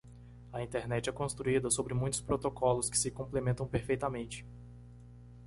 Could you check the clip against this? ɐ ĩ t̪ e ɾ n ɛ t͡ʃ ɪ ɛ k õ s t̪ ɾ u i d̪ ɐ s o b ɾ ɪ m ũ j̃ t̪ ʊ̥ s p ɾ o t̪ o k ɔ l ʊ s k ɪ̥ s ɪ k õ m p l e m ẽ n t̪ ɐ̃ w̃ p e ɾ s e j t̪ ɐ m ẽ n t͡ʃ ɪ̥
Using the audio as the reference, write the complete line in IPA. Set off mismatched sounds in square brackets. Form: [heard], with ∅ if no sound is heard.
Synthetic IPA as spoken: ɐ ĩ t̪ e ɾ n ɛ t͡ʃ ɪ ɛ k õ s t̪ ɾ u i d̪ ɐ s o b ɾ ɪ m ũ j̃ t̪ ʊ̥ s p ɾ o t̪ o k ɔ l ʊ s k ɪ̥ s ɪ k õ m p l e m ẽ n t̪ ɐ̃ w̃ p e ɾ [f] e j t̪ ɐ m ẽ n t͡ʃ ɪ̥